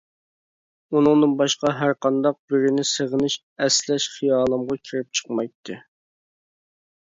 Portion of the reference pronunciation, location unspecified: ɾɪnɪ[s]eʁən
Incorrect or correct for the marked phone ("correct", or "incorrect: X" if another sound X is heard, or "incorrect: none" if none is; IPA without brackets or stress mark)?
correct